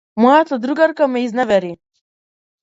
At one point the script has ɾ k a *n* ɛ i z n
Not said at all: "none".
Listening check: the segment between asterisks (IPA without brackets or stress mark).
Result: m